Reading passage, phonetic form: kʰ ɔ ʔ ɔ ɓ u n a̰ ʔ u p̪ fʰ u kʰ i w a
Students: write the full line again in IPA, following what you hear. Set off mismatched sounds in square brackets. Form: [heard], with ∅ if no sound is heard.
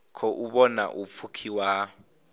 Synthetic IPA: kʰ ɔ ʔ [u] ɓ [ɔ] n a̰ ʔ u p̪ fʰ u kʰ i w a